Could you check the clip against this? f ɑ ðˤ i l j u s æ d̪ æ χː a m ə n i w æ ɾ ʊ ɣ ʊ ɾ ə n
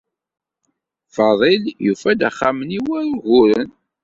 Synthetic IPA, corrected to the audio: f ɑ ðˤ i l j u f æ d̪ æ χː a m ə n i w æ ɾ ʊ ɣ ʊ ɾ ə n